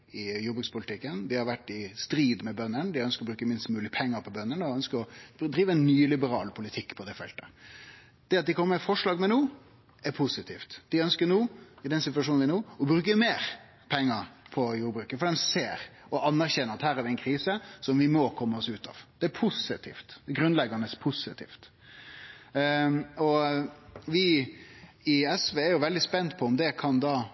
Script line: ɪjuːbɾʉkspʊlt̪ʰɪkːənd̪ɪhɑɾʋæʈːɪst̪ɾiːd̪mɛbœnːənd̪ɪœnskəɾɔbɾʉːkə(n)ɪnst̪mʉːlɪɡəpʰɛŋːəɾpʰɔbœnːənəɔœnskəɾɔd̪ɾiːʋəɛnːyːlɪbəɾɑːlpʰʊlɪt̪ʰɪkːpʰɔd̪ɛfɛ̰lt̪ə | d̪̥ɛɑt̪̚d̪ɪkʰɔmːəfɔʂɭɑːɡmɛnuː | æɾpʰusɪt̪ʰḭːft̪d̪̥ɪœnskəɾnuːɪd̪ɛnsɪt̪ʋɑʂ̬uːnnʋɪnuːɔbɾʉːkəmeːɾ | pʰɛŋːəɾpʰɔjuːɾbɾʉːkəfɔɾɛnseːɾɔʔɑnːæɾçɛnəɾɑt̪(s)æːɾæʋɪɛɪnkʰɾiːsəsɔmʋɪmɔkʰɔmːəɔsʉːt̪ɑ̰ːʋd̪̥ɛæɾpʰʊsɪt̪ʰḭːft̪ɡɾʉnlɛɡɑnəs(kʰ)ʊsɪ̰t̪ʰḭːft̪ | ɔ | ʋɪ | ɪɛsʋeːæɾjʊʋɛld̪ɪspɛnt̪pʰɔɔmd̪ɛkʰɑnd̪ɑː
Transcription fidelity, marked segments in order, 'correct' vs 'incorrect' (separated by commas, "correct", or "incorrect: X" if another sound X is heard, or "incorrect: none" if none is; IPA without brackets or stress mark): incorrect: m, incorrect: h, incorrect: pʰ